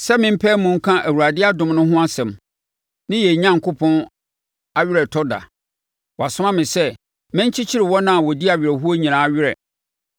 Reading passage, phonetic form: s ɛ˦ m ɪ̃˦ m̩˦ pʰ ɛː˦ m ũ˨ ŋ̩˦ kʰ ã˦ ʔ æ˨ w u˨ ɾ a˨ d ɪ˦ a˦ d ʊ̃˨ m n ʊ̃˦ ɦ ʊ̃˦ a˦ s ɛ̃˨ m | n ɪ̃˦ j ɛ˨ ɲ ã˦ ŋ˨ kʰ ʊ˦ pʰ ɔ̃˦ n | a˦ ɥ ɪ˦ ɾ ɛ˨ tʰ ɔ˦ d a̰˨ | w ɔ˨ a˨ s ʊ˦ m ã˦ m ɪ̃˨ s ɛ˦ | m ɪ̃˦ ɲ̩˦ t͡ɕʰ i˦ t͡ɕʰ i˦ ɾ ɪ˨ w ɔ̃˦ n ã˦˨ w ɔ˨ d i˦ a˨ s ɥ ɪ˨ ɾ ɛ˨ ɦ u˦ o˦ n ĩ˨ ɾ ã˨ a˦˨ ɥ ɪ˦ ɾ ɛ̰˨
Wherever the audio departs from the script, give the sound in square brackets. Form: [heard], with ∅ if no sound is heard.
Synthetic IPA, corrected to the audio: s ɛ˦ m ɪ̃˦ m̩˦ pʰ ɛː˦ m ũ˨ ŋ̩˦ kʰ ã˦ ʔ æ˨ w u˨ ɾ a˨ d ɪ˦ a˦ d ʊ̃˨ m n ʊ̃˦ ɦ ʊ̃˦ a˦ s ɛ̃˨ m | n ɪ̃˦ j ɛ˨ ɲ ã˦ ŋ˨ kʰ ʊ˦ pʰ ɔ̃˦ n | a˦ ɥ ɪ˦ ɾ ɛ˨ tʰ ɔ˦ d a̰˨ | w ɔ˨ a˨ s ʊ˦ m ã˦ m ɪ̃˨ s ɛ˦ | m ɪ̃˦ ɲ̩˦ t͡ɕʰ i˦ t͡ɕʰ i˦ ɾ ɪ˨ w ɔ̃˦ n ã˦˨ w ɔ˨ d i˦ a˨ [∅] ɥ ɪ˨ ɾ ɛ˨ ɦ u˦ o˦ [ɲ] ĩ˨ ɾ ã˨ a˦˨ ɥ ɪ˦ ɾ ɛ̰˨